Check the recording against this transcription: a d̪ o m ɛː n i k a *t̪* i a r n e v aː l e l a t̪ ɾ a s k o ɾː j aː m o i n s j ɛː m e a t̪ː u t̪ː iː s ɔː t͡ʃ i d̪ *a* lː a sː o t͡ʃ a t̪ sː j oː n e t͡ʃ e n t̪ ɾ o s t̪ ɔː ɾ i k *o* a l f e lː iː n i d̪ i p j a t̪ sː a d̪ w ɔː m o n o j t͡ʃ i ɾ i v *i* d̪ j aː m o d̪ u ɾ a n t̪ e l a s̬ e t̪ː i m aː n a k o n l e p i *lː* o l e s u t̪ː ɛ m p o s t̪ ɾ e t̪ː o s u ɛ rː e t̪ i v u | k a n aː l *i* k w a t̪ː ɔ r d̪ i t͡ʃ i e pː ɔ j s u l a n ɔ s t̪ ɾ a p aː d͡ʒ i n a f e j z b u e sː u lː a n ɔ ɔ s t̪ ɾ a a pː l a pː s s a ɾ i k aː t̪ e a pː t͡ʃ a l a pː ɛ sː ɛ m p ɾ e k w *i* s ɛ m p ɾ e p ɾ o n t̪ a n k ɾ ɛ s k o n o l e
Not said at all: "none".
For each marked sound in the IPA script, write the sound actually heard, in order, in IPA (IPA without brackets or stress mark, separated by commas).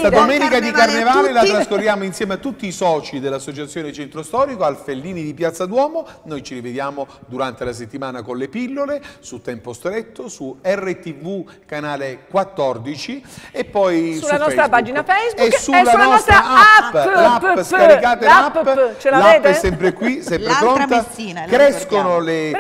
d̪, e, o, e, lː, e, i